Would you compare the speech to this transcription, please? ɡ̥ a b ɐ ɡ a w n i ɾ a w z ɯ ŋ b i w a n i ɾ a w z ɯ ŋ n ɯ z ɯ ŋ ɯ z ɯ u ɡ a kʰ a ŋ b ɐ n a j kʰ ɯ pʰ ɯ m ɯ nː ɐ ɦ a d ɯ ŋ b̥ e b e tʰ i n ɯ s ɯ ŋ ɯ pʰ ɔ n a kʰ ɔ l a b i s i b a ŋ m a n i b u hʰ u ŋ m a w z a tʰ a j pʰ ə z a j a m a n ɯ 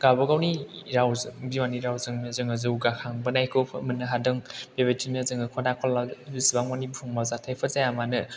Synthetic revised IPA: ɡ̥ a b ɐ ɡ a w n i ɾ a w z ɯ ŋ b i w a n i ɾ a w z ɯ ŋ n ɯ z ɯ ŋ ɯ z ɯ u ɡ a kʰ a ŋ b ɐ n a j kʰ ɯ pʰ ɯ m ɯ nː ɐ ɦ a d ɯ ŋ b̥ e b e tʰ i n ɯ z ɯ ŋ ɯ kʰ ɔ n a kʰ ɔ l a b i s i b a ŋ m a n i b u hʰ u ŋ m a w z a tʰ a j pʰ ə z a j a m a n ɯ

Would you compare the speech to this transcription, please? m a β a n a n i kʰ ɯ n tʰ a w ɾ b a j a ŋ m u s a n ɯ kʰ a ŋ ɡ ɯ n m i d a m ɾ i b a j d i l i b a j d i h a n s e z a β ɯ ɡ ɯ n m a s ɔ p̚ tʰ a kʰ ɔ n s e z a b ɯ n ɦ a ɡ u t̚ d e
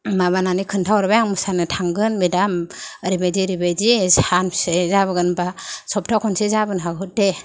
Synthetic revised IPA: m a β a n a n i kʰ ɯ n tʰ a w ɾ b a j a ŋ m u s a n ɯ tʰ a ŋ ɡ ɯ n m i d a m ɾ i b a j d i ɾ i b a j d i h a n s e z a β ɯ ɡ ɯ n b a s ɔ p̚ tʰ a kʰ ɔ n s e z a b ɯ n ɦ a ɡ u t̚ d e

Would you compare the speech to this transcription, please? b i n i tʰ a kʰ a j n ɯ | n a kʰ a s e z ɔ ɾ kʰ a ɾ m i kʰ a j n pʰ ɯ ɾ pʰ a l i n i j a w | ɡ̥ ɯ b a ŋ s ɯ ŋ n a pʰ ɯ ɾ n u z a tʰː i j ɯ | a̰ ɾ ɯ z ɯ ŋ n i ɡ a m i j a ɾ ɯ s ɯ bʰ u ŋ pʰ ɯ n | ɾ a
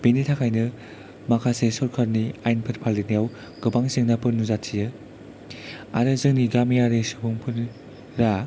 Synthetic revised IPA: b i n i tʰ a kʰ a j n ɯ | m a kʰ a s e s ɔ ɾ kʰ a ɾ n i a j n pʰ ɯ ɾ pʰ a l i n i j a w | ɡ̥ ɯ b a ŋ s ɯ ŋ n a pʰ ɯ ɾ n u z a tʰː i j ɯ | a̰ ɾ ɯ z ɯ ŋ n i ɡ a m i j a ɾ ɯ s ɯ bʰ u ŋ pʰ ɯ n | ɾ a

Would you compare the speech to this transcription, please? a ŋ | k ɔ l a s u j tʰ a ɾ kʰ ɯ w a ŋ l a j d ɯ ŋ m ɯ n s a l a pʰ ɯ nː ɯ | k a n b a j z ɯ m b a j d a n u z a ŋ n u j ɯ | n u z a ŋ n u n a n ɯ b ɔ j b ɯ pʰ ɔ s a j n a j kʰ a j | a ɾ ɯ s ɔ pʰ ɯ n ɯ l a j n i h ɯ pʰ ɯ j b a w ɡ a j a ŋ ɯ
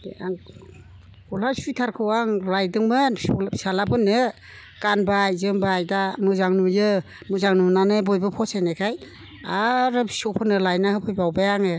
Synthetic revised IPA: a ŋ | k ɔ l a s u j tʰ a ɾ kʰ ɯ w a ŋ l a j d ɯ ŋ m ɯ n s a l a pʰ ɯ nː ɯ | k a n b a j z ɯ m b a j d a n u z a ŋ n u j ɯ | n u z a ŋ n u n a n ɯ b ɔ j b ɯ pʰ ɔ s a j n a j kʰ a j | a ɾ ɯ s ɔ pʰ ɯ n ɯ l a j n a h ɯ pʰ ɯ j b a w b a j a ŋ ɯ

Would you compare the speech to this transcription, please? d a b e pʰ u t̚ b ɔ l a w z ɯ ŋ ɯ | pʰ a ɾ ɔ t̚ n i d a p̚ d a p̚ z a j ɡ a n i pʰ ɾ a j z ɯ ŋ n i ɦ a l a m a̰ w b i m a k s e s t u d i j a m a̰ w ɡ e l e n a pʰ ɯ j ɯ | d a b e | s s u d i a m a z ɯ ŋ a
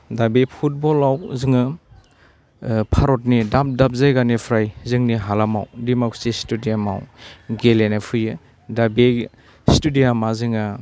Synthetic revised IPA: d a b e pʰ u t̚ b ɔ l a w z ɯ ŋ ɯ | pʰ a ɾ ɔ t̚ n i d a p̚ d a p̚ z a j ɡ a n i pʰ ɾ a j z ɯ ŋ n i ɦ a l a m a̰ w d i m a k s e s t u d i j a m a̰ w ɡ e l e n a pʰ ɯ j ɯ | d a b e | s t u d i a m a z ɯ ŋ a

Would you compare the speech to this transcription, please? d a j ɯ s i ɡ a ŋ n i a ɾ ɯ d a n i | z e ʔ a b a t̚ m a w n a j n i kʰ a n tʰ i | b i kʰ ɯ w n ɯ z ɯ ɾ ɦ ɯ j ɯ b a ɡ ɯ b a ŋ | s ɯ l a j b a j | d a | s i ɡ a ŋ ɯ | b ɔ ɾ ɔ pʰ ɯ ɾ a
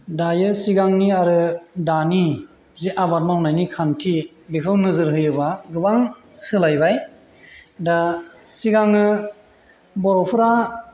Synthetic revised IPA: d a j ɯ s i ɡ a ŋ n i a ɾ ɯ d a n i | z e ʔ a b a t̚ m a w n a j n i kʰ a n tʰ i | b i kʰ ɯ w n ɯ z ɯ ɾ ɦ ɯ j ɯ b a ɡ ɯ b a ŋ | s ɯ l a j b a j | d a | s i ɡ a ŋ ɯ | b ɔ ɾ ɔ pʰ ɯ ɾ a

